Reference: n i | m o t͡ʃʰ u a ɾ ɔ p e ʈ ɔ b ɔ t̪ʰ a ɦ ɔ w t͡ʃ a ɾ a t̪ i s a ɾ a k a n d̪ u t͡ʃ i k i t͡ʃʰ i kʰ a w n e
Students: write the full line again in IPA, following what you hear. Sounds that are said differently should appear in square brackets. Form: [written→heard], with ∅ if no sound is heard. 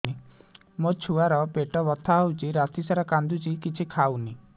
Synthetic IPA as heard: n i | m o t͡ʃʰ u a ɾ ɔ p e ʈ ɔ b ɔ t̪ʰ a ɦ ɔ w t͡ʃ [a→i] ɾ a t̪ i s a ɾ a k a n d̪ u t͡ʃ i k i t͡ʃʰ i kʰ a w n [e→i]